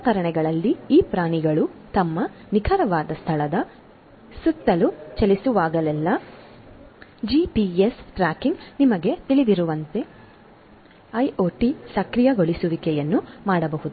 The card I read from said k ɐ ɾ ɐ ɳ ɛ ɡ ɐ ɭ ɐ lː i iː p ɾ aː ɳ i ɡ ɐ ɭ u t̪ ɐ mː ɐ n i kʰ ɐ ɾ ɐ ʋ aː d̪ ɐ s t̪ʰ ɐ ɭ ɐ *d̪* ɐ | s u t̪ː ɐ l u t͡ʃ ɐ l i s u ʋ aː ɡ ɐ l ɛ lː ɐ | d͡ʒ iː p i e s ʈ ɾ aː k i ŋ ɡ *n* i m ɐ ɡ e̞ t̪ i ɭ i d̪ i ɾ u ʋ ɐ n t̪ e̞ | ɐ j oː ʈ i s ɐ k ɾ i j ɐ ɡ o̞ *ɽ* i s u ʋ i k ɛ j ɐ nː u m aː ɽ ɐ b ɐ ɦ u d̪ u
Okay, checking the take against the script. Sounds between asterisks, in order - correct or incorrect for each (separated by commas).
correct, correct, incorrect